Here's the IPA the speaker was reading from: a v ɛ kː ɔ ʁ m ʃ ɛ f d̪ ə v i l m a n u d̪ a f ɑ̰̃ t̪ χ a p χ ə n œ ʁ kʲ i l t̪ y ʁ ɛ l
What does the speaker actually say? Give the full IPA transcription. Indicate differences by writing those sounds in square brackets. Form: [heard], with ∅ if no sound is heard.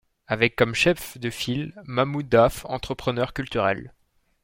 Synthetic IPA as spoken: a v ɛ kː ɔ [∅] m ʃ ɛ f d̪ ə [f] i l m a [m] u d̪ a f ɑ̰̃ t̪ χ [ə] p χ ə n œ ʁ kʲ [y] l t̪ y ʁ ɛ l

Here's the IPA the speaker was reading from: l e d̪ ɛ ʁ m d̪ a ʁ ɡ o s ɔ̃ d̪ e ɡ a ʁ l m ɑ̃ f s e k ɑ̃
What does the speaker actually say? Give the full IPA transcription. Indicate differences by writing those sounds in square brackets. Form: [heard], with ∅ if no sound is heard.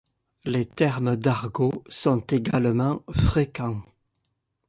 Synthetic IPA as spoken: l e [t̪] ɛ ʁ m d̪ a ʁ ɡ o s ɔ̃ [t̪] e ɡ a [∅] l m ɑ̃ f [χ] e k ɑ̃

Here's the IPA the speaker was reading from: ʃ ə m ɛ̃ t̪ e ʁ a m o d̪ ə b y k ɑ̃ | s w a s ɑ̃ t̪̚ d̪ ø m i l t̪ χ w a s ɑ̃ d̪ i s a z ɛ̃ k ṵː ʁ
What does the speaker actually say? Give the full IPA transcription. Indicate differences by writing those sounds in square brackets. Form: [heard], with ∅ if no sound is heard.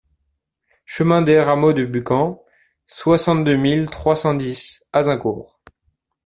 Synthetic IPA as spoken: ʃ ə m ɛ̃ [d̪] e ʁ a m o d̪ ə b y k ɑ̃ | s w a s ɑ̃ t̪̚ d̪ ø m i l t̪ χ w a s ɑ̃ d̪ i s a z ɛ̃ k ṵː ʁ

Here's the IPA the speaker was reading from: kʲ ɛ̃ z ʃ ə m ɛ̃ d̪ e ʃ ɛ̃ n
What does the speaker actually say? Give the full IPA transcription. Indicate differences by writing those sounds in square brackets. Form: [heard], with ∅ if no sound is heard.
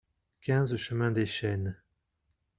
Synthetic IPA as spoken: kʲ ɛ̃ z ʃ ə m ɛ̃ d̪ e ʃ [ɛ] n

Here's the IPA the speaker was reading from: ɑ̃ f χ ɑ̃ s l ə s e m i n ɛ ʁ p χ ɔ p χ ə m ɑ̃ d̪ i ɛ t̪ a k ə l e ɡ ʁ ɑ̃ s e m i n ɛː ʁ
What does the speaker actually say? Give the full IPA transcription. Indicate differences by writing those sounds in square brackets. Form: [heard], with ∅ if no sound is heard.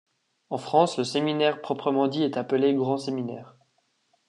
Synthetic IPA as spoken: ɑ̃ f χ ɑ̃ s l ə s e m i n ɛ ʁ p χ ɔ p χ ə m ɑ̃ d̪ i ɛ t̪ a [p] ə l e ɡ ʁ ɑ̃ s e m i n ɛː ʁ

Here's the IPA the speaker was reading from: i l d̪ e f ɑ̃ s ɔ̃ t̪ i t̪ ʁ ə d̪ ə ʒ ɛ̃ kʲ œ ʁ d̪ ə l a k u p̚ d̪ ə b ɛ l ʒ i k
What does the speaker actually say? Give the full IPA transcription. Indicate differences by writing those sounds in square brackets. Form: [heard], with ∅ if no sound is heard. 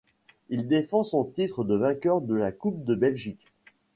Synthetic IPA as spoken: i l d̪ e f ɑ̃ s ɔ̃ t̪ i t̪ [χ] ə d̪ ə [v] ɛ̃ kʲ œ ʁ d̪ ə l a k u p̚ d̪ ə b ɛ l ʒ i k

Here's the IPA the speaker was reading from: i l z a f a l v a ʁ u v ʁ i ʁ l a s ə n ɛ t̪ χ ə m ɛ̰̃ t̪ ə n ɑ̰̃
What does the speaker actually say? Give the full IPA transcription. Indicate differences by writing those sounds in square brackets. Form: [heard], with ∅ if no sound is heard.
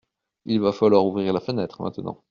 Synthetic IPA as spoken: i l [v] a f a l [w] a ʁ u v ʁ i ʁ l a [f] ə n ɛ t̪ χ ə m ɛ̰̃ t̪ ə n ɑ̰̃

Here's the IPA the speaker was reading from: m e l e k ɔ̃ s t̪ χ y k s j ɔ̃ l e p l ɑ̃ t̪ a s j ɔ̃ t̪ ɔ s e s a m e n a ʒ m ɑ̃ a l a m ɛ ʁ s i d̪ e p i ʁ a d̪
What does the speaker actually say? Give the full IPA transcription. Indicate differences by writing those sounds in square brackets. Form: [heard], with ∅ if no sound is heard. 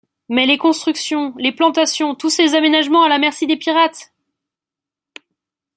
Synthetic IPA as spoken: m [ɛ] l e k ɔ̃ s t̪ χ y k s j ɔ̃ l e p l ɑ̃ t̪ a s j ɔ̃ t̪ [u] s e [z] a m e n a ʒ m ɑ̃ a l a m ɛ ʁ s i d̪ e p i ʁ a [t̪]

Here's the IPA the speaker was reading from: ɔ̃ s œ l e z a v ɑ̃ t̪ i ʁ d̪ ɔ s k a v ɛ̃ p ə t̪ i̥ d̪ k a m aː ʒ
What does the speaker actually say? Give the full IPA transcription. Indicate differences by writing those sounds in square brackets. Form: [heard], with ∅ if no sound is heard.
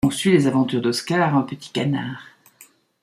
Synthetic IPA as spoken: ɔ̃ s [y] l e z a v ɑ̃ t̪ [y] ʁ d̪ ɔ s k a [ʁ] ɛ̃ p ə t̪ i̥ [∅] k a [n] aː [ʁ]

